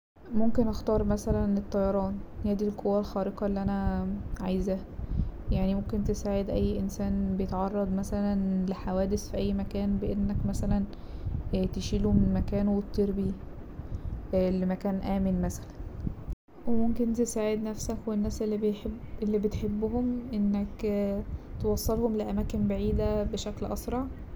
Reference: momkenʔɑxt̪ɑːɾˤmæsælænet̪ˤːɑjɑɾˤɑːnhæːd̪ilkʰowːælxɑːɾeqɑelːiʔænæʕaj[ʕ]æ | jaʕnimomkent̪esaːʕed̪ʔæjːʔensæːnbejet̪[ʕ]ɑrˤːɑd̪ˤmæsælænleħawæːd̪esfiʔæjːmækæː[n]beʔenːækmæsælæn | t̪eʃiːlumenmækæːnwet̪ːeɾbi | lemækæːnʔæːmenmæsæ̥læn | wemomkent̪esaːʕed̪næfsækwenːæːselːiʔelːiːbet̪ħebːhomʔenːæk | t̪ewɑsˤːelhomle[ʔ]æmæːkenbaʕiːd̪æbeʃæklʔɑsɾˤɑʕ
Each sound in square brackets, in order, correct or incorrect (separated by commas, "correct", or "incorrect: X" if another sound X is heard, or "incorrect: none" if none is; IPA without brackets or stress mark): incorrect: z, correct, correct, correct